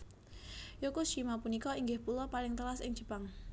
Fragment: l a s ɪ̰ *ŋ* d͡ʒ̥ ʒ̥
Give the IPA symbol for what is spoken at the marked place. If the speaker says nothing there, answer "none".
ŋ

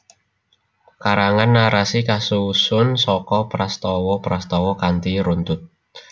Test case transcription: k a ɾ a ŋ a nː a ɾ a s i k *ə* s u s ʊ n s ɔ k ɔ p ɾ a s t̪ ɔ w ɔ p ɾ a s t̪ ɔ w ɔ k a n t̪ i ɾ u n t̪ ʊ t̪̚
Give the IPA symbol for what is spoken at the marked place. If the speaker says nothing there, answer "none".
a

